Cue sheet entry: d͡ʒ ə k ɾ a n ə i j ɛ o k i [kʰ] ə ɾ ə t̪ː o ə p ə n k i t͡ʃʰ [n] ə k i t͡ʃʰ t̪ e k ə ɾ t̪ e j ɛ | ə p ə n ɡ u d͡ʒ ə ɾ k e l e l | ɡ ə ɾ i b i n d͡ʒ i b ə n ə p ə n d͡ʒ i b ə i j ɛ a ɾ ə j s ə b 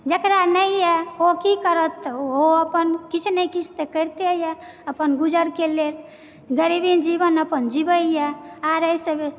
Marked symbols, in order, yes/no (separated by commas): no, yes